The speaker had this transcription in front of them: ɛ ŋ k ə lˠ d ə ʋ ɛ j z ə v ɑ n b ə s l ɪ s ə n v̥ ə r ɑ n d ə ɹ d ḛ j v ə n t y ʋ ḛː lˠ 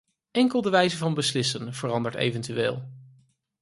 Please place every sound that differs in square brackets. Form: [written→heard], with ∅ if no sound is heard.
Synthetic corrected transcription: ɛ ŋ k ə lˠ d ə ʋ ɛ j z ə v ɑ n b ə s l ɪ s ə n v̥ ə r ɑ n d ə ɹ [d→t] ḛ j v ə n t y ʋ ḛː lˠ